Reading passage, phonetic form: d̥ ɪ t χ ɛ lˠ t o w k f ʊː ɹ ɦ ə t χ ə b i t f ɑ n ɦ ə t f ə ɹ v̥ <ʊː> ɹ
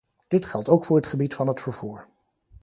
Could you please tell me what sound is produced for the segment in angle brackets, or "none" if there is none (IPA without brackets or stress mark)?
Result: uː